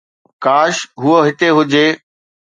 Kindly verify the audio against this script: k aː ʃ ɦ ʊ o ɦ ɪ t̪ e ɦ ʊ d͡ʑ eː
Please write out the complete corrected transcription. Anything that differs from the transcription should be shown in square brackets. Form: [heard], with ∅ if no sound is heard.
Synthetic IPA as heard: k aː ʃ ɦ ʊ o ɦ ɪ t̪ e ɦ ʊ d͡ʑ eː